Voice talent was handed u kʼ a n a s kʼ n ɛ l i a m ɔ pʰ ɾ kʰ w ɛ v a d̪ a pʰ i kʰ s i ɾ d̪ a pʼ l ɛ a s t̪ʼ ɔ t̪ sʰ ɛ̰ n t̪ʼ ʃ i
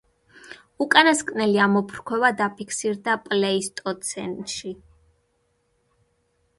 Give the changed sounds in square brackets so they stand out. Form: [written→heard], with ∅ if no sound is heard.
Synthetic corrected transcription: u kʼ a n a s kʼ n ɛ l i a m ɔ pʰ ɾ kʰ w ɛ v a d̪ a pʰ i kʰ s i ɾ d̪ a pʼ l ɛ [a→i] s t̪ʼ ɔ t̪ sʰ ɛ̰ n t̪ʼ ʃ i